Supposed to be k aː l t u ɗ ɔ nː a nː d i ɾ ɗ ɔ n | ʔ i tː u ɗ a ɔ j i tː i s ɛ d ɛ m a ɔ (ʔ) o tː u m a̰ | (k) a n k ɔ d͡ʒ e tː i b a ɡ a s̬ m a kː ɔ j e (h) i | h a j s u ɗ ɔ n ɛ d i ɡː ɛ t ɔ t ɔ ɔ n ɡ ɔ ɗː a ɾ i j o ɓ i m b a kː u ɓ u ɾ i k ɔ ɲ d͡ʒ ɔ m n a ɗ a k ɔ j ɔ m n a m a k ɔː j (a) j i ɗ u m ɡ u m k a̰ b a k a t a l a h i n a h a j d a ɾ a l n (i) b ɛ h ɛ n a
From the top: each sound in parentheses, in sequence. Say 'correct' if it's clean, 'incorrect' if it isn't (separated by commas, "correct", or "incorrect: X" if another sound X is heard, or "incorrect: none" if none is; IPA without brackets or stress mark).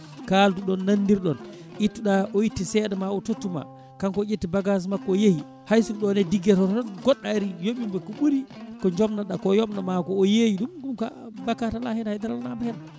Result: incorrect: t, correct, correct, incorrect: e, incorrect: a